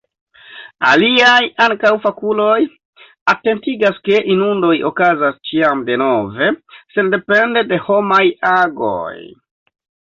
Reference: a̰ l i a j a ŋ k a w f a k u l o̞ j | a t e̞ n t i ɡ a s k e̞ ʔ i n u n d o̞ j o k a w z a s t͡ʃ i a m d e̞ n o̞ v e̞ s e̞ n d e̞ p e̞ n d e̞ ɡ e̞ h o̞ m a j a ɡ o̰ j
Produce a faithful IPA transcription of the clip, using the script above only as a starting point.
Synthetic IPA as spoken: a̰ l i a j a ŋ k a w f a k u l o̞ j | a t e̞ n t i ɡ a s k e̞ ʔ i n u n d o̞ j o k a z a s t͡ʃ i a m d e̞ n o̞ v e̞ s e̞ n d e̞ p e̞ n d e̞ d e̞ h o̞ m a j a ɡ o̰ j